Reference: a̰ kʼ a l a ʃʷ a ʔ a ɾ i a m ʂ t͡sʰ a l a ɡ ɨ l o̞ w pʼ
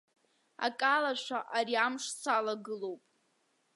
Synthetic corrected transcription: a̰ kʼ a l a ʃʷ a ʔ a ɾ i a m ʂ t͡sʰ a l a ɡ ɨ l o̞ w pʼ

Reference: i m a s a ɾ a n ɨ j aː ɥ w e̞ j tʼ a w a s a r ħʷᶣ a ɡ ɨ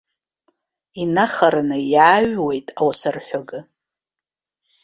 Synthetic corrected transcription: i n a χ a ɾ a n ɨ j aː ɥ w e̞ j tʼ a w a s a r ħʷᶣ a ɡ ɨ

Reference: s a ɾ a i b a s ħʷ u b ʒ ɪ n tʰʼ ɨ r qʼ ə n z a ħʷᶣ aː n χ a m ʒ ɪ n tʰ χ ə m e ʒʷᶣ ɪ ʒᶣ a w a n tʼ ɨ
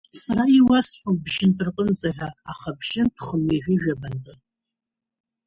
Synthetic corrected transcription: s a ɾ a i w a s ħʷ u b ʒ ɪ n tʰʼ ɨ r qʼ ə n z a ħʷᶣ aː χ a b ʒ ɪ n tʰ χ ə n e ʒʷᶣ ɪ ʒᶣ a b a n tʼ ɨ

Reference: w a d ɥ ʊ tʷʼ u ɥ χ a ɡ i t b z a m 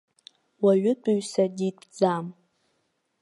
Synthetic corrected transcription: w a ɥ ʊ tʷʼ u ɥ s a d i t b d͡z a m

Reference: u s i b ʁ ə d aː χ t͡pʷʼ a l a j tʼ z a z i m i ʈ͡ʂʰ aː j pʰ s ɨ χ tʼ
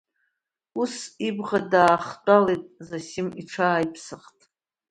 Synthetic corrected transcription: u s i b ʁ a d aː χ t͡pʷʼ a l e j tʼ z a s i m i ʈ͡ʂʰ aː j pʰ s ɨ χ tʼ

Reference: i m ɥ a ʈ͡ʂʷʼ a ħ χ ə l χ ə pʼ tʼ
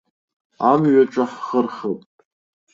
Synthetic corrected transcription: a m ɥ a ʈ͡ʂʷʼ a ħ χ ə r χ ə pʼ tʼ

